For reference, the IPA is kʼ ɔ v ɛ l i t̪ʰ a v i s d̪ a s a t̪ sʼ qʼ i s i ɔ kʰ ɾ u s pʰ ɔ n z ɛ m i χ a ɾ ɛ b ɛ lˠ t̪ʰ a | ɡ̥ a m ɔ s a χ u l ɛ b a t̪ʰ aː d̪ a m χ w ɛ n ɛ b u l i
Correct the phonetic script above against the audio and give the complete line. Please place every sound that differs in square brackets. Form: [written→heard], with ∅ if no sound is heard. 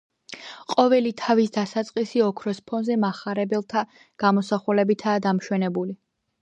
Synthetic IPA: [kʼ→qʼ] ɔ v ɛ l i t̪ʰ a v i s d̪ a s a t̪ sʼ qʼ i s i ɔ kʰ ɾ [u→ɔ] s pʰ ɔ n z ɛ m [i→a] χ a ɾ ɛ b ɛ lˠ t̪ʰ a | ɡ̥ a m ɔ s a χ u l ɛ b [a→i] t̪ʰ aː d̪ a m [χ→ʃ] w ɛ n ɛ b u l i